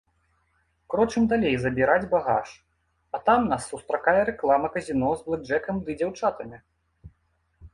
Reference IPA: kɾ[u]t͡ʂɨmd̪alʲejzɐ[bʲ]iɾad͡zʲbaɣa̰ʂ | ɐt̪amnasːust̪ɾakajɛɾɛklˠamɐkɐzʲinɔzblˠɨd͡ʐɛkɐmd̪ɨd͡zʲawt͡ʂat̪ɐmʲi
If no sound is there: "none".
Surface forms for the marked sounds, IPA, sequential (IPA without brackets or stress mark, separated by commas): ɔ, bʲ